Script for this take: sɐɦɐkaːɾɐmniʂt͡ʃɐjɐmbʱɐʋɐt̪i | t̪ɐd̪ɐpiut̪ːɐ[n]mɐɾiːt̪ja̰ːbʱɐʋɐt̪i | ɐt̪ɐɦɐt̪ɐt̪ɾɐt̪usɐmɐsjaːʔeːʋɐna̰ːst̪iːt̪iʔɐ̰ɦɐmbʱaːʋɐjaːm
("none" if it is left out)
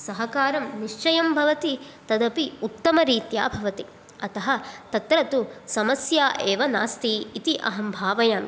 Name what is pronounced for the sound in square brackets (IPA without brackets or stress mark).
none